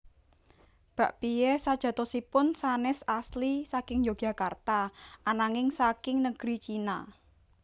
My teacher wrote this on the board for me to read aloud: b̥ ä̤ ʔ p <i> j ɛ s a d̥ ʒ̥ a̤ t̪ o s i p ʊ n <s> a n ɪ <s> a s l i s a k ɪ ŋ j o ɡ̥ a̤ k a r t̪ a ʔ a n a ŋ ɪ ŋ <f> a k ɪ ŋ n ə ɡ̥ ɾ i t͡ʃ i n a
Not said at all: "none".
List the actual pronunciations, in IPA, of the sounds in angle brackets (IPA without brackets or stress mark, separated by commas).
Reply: i, s, s, s